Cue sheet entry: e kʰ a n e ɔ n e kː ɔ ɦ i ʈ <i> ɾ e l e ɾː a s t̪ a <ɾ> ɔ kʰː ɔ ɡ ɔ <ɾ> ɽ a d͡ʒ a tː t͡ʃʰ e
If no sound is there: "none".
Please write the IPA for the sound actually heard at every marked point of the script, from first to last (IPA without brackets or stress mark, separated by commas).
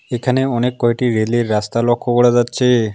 i, l, none